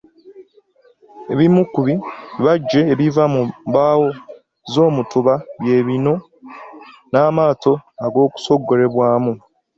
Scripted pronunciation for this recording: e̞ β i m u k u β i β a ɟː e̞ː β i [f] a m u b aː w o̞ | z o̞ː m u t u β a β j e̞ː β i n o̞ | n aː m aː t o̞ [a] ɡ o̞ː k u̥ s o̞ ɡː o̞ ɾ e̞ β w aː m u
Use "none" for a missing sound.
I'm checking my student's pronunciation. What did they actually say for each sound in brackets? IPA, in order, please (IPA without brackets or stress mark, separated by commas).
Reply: v, a